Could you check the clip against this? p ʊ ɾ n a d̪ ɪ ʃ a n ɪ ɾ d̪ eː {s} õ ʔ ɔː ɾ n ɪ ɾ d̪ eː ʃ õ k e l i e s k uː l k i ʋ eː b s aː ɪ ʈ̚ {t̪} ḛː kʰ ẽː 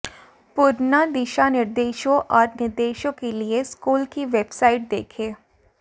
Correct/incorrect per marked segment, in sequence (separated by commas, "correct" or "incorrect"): incorrect, incorrect